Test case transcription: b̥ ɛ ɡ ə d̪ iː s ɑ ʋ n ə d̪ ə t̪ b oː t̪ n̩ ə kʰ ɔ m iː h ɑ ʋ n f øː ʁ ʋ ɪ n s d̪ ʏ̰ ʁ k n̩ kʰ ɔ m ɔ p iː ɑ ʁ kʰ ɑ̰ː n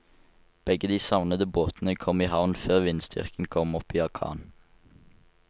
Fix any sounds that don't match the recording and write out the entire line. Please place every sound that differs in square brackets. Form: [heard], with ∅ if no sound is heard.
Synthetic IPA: b̥ ɛ ɡ ə d̪ iː s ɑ ʋ n ə d̪ ə [∅] b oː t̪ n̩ ə kʰ ɔ m iː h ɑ ʋ n f øː ʁ ʋ ɪ n s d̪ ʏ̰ ʁ k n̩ kʰ ɔ m ɔ p iː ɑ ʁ kʰ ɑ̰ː n

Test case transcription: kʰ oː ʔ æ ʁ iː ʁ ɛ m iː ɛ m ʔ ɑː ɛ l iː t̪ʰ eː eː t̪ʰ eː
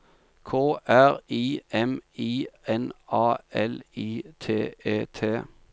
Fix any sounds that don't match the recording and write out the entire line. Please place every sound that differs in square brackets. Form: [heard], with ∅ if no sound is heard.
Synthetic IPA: kʰ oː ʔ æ ʁ iː [∅] ɛ m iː ɛ [n] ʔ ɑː ɛ l iː t̪ʰ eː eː t̪ʰ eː

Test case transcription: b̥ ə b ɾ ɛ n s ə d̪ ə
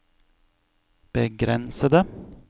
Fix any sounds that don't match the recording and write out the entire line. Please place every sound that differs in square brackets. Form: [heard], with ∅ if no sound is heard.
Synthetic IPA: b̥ ə [ɡ] ɾ ɛ n s ə d̪ ə

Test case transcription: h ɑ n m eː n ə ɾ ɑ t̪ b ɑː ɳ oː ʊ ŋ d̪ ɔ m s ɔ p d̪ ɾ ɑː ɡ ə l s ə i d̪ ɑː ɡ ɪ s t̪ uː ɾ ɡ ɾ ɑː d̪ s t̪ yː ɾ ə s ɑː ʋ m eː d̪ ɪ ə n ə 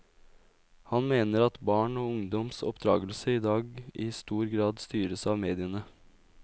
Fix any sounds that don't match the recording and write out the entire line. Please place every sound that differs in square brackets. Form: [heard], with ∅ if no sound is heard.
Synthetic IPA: h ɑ n m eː n ə ɾ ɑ t̪ b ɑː ɳ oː ʊ ŋ d̪ ɔ m s ɔ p d̪ ɾ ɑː ɡ ə l s ə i d̪ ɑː ɡ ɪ s t̪ uː ɾ ɡ ɾ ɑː d̪ s t̪ yː ɾ ə s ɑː ʋ m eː d̪ ɪ ə n ə

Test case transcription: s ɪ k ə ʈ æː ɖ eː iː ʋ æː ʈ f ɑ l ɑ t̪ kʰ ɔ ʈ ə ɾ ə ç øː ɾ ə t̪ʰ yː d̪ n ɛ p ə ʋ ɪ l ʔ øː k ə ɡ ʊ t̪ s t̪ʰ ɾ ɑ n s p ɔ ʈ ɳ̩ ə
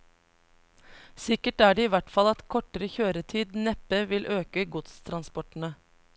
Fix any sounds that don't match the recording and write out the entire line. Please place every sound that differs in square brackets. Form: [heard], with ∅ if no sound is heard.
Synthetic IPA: s ɪ k ə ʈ æː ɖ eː iː ʋ [æ] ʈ f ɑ l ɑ t̪ kʰ ɔ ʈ ə ɾ ə ç øː ɾ ə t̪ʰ [iː] d̪ n ɛ p ə ʋ ɪ l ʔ øː k ə ɡ ʊ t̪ s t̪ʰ ɾ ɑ n s p ɔ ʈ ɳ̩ ə

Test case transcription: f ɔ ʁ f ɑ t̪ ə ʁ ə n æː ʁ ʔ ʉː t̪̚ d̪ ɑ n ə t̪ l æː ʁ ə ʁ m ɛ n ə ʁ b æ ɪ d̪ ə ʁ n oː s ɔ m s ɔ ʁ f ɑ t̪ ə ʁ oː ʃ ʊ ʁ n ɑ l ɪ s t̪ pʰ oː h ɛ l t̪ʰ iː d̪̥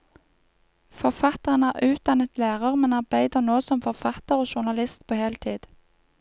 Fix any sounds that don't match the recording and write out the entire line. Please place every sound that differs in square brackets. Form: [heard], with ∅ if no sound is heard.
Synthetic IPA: f ɔ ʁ f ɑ t̪ ə ʁ ə n æː ʁ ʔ ʉː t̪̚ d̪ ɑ n ə t̪ l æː ʁ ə ʁ m ɛ n [ɑ] ʁ b æ ɪ d̪ ə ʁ n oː s ɔ m [f] ɔ ʁ f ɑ t̪ ə ʁ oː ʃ ʊ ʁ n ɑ l ɪ s t̪ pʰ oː h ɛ l t̪ʰ iː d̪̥

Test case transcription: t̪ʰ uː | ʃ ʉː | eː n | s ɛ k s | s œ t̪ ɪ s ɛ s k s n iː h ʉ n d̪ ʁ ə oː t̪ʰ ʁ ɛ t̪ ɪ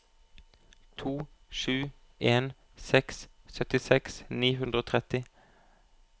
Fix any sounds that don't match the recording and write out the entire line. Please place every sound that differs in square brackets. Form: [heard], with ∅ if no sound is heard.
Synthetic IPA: t̪ʰ uː | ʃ ʉː | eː n | s ɛ k s | s œ t̪ ɪ s ɛ [∅] k s n iː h ʉ n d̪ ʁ ə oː t̪ʰ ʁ ɛ t̪ ɪ

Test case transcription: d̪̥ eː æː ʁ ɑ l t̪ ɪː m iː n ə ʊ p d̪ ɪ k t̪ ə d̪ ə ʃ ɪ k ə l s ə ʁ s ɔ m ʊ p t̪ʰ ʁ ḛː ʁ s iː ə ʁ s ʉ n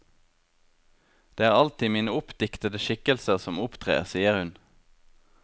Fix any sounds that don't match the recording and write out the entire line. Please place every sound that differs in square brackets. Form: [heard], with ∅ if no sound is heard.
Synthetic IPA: d̪̥ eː æː ʁ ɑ l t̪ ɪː m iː n ə ʊ p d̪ ɪ k t̪ ə d̪ ə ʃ ɪ k ə l s ə ʁ s ɔ m ʊ p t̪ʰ ʁ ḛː ʁ s iː ə ʁ [h] ʉ n

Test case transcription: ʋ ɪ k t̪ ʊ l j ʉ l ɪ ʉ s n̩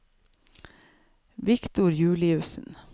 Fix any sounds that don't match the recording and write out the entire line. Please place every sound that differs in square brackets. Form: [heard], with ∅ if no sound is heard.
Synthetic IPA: ʋ ɪ k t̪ ʊ [ɾ] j [ʉː] l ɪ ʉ s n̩

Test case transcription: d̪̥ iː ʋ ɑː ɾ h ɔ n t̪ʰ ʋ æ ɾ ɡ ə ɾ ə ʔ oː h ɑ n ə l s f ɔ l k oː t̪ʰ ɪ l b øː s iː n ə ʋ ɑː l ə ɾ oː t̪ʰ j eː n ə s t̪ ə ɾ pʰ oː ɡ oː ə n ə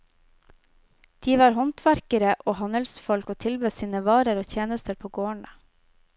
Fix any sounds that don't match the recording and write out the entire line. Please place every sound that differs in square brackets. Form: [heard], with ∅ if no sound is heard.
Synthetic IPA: d̪̥ iː ʋ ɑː ɾ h ɔ n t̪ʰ ʋ æ ɾ [k] ə ɾ ə ʔ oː h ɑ n ə l s f ɔ l k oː t̪ʰ ɪ l b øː s iː n ə ʋ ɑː [ɾ] ə ɾ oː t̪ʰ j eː n ə s t̪ ə ɾ pʰ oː ɡ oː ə [ɳ] ə

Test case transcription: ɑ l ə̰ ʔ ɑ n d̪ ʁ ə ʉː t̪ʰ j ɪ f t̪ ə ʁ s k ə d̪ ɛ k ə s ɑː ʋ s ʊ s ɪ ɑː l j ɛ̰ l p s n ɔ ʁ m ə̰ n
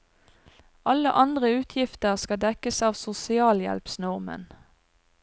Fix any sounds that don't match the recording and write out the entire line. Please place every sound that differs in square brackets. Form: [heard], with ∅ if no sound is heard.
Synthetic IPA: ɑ l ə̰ ʔ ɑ n d̪ ʁ ə ʉː t̪ʰ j ɪ f t̪ ə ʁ s k [ɑ] d̪ ɛ k ə s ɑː ʋ s ʊ s ɪ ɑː l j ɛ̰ l p s n ɔ ʁ m ə̰ n

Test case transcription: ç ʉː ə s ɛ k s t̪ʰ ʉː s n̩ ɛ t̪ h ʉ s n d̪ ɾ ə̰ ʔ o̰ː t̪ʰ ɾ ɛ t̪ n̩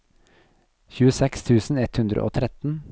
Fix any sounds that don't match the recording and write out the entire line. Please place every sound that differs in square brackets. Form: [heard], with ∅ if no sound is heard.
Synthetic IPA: ç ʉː ə s ɛ k s t̪ʰ ʉː s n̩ ɛ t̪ h ʉ [∅] n d̪ ɾ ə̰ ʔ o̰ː t̪ʰ ɾ ɛ t̪ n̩

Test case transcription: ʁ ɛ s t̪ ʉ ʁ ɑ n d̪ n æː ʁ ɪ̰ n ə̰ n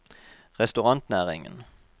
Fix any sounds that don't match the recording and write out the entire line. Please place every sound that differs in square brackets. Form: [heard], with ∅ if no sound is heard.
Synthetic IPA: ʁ ɛ s t̪ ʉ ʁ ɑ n [t̪] n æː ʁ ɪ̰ [ŋ] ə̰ n

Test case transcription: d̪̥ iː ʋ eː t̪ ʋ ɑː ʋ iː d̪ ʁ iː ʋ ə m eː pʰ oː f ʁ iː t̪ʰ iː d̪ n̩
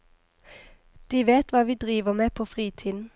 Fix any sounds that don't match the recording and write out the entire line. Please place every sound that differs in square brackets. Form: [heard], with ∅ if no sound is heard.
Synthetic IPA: d̪̥ iː ʋ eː t̪ ʋ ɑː ʋ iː d̪ ʁ iː ʋ ə m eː pʰ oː f ʁ iː t̪ʰ iː d̪ n̩

